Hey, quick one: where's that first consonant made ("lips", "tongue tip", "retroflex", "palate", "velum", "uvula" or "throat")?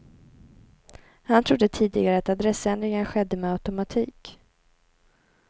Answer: throat